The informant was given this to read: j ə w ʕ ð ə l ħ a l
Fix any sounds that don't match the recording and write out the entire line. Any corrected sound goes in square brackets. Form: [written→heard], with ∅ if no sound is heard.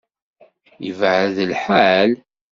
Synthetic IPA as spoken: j ə [w→v] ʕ ð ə l ħ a l